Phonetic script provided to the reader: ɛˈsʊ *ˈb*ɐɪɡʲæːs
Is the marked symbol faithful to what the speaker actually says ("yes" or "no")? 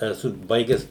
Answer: yes